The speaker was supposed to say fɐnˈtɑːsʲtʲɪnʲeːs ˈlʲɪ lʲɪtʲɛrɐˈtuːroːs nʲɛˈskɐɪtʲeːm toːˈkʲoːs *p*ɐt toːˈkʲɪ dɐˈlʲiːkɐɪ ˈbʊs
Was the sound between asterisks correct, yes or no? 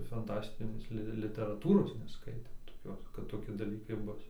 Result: no